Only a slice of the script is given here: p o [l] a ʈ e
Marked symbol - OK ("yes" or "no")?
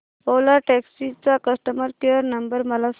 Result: yes